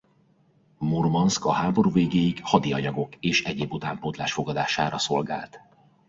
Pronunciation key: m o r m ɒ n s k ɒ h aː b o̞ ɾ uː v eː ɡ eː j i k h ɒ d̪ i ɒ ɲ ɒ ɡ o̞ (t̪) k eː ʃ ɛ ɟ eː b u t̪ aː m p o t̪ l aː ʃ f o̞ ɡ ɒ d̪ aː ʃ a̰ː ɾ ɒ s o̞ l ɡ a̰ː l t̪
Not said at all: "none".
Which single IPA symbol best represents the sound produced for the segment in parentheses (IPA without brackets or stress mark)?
none